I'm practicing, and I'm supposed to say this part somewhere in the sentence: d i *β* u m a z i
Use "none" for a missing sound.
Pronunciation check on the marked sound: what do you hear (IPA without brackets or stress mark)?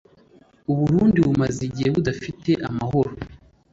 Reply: β